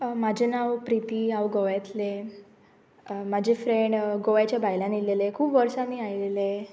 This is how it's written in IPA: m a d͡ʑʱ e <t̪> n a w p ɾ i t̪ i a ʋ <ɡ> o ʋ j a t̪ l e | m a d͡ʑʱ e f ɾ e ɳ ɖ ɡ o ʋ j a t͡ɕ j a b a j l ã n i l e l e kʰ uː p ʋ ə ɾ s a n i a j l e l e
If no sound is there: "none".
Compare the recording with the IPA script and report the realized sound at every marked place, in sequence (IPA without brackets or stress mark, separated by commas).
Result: none, ɡ